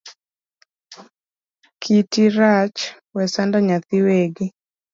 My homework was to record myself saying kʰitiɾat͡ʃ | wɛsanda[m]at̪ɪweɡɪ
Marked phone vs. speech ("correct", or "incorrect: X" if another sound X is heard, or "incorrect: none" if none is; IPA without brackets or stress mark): incorrect: ɲ